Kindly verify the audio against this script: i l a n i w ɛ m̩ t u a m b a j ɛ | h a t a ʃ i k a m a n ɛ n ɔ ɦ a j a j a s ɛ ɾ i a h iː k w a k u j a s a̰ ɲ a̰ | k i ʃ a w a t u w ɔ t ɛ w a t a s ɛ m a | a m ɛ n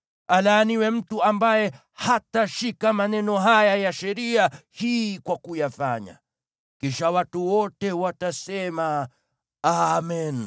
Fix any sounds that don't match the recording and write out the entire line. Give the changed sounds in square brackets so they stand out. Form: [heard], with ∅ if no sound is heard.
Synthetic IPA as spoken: [a] l a n i w ɛ m̩ t u a m b a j ɛ | h a t a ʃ i k a m a n ɛ n ɔ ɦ a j a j a [ʃ] ɛ ɾ i a h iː k w a k u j a [f] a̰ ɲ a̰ | k i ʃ a w a t u w ɔ t ɛ w a t a s ɛ m a | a m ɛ n